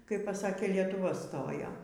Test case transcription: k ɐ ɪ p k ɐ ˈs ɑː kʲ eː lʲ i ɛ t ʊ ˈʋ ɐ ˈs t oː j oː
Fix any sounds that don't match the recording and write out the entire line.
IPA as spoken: k ɐ ɪ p p ɐ ˈs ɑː kʲ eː lʲ i ɛ t ʊ ˈʋ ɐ ˈs t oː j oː